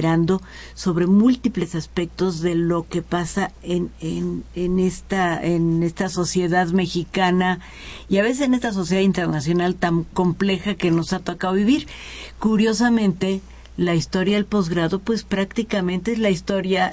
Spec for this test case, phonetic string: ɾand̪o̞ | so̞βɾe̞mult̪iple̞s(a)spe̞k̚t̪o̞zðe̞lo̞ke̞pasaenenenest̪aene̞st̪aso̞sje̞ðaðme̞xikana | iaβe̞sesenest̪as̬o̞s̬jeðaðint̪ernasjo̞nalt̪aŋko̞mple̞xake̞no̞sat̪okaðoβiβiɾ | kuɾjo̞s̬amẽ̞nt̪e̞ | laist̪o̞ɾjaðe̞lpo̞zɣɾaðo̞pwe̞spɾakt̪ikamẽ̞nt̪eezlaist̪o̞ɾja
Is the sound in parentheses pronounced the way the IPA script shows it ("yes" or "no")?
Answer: yes